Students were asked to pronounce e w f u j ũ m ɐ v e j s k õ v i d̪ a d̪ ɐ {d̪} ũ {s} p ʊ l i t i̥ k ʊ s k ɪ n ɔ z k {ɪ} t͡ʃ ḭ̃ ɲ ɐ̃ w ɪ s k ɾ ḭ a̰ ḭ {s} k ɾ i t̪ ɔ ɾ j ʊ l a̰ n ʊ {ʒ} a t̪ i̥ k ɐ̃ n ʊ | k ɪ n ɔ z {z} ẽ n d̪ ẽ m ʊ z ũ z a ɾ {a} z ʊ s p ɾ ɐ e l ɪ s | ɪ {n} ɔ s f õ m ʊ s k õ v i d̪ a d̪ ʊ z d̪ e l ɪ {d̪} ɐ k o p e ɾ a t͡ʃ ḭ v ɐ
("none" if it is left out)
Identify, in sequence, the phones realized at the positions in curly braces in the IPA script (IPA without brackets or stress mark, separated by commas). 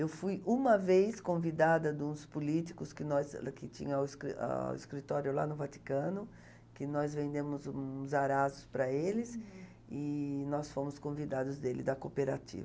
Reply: d̪, s, ɪ, s, v, v, a, n, d̪